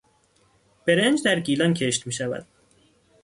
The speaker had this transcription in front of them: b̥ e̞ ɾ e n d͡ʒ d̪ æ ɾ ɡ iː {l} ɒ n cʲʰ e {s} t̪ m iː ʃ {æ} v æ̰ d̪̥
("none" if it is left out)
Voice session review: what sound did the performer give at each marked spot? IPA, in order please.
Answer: l, ʃ, æ

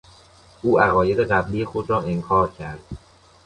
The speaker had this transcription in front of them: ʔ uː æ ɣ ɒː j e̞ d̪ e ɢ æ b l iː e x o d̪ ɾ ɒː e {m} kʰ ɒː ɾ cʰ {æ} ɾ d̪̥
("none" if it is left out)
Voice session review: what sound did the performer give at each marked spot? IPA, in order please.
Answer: ŋ, æ

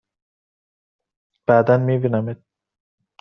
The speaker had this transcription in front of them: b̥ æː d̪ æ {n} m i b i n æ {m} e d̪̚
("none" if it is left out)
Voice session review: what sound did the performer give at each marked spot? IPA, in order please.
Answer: n, m

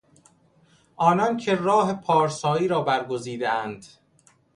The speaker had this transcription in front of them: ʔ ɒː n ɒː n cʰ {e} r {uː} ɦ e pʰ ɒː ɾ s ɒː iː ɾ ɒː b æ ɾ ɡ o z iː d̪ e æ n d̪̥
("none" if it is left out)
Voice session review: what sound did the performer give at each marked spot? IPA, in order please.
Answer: e, ɒː

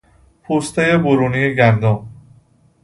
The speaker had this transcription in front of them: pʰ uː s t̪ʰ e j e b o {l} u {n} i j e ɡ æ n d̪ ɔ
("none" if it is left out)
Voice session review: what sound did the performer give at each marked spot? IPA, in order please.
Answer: ɾ, n

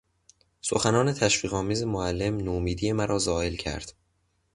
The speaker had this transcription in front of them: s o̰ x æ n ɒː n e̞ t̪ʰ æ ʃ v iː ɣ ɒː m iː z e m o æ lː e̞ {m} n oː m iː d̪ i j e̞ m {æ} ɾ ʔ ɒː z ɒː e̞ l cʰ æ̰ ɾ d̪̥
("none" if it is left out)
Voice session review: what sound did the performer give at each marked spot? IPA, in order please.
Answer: m, æ

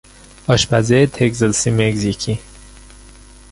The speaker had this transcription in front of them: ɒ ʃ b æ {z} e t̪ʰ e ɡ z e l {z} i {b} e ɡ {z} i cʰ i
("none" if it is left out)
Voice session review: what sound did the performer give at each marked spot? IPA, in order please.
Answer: z, s, m, z

